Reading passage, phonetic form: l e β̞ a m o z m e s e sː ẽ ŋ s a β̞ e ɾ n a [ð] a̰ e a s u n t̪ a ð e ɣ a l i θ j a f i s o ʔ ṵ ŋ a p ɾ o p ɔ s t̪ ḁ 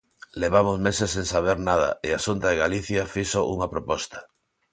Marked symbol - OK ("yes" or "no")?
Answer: yes